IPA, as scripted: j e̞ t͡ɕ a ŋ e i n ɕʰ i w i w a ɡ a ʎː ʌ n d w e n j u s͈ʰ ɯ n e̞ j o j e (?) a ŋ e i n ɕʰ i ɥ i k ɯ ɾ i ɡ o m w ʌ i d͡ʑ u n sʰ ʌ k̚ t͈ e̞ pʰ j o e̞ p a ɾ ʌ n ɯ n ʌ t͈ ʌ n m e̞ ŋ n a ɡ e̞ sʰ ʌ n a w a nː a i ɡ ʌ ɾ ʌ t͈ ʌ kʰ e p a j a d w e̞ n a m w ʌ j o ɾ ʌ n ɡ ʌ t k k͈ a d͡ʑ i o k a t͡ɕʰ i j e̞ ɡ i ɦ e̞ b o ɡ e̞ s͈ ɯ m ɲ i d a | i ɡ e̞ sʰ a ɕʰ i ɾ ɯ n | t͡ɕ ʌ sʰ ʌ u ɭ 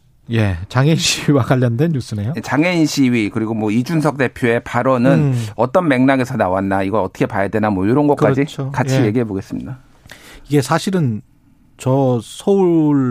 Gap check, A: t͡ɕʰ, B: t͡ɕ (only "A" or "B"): B